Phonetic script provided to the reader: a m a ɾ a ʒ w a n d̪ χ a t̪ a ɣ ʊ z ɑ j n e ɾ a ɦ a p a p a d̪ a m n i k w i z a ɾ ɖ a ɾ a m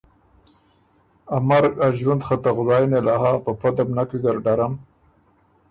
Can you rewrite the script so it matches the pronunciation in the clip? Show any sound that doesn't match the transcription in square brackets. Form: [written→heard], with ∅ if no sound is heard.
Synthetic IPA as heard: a m a ɾ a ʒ w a n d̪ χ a t̪ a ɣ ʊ z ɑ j n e [ɾ→l] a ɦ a p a p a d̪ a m n [i→a] k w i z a ɾ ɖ a ɾ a m